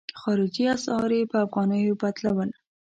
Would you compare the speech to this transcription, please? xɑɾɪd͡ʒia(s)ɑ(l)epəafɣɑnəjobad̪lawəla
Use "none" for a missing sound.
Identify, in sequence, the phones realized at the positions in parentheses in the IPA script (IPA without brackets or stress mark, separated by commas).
s, ɾ